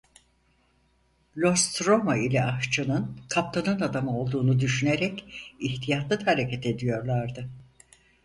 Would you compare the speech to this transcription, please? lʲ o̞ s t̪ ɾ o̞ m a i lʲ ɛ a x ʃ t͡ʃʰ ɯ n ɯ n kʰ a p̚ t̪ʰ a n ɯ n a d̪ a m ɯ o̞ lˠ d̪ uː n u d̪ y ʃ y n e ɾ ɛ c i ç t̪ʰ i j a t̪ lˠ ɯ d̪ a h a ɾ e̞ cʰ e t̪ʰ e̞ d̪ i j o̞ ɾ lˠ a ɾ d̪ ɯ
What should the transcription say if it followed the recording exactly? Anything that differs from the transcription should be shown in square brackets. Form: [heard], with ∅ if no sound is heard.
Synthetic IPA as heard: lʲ o̞ s t̪ ɾ o̞ m a i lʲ ɛ a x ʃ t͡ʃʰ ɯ n ɯ n kʰ a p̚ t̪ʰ a n ɯ n a d̪ a m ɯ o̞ lˠ d̪ uː n u d̪ y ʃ y n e ɾ ɛ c i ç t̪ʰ i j a t̪ lˠ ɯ d̪ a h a ɾ e̞ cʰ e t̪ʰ e̞ d̪ i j o̞ ɾ lˠ a ɾ d̪ ɯ